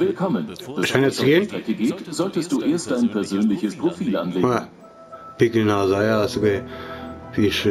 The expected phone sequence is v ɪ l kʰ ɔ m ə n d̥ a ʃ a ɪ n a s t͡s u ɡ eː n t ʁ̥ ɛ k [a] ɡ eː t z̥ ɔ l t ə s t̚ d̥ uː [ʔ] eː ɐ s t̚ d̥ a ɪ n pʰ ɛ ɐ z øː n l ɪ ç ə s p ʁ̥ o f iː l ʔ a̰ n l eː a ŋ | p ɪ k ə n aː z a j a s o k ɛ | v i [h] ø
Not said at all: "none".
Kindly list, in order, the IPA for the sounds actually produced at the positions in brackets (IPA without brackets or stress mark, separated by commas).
ə, ʔ, ʃ